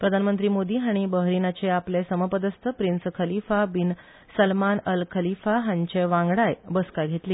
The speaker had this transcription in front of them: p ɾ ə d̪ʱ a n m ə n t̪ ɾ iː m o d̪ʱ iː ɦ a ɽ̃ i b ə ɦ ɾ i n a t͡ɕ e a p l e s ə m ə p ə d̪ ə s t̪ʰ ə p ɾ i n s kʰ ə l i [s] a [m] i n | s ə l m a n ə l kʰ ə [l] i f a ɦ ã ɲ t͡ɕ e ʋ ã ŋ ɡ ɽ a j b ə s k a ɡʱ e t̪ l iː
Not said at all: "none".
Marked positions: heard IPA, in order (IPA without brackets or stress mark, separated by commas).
f, b, l